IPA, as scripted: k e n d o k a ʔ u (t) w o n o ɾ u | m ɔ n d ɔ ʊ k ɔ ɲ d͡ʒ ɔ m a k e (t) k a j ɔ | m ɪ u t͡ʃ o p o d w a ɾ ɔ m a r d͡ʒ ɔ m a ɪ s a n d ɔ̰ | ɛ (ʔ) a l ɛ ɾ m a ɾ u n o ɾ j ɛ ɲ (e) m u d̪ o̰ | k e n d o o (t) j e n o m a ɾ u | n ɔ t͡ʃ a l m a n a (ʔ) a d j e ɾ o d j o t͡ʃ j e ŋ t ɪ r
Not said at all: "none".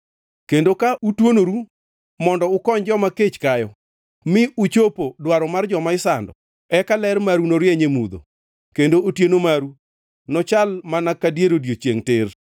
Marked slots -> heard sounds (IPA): t, t͡ʃ, k, e, t, k

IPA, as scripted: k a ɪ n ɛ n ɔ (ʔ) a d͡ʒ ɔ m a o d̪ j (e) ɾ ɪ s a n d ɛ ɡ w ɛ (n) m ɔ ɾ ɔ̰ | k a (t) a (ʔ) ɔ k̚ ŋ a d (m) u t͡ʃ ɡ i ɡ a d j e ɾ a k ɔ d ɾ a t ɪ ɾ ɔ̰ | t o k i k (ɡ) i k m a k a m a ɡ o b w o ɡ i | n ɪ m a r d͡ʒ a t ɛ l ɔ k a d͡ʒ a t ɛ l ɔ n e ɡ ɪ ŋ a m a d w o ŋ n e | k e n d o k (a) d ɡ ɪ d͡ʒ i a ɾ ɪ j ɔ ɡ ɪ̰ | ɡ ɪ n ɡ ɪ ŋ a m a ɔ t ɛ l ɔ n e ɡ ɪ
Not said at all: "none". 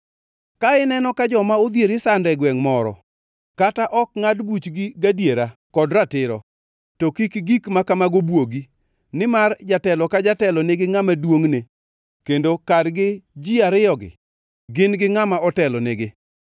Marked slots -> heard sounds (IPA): k, e, ŋ, t, ʔ, b, ɡ, a

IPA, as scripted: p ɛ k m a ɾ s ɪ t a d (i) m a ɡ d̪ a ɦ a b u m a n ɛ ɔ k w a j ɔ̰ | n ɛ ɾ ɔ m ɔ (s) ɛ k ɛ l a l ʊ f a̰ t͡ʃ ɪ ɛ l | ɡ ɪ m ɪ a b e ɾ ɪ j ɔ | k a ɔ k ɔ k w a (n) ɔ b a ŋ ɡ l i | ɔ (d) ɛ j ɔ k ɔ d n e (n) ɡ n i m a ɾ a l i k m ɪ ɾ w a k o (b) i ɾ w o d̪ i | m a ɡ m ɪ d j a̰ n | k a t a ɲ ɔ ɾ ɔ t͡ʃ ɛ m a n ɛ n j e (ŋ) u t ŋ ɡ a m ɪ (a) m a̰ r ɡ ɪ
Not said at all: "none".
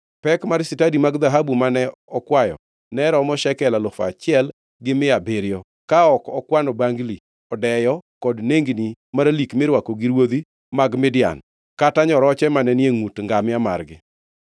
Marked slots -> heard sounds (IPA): i, ʃ, n, d, ŋ, ɡ, ŋ, a

